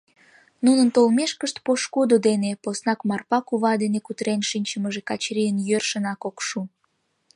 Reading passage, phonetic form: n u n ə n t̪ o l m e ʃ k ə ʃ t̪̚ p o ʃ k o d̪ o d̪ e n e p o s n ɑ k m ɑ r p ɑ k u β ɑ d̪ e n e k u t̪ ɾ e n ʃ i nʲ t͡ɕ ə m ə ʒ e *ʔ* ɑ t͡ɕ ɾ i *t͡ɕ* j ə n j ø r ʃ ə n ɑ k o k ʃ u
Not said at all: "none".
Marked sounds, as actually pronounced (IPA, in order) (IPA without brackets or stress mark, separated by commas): k, none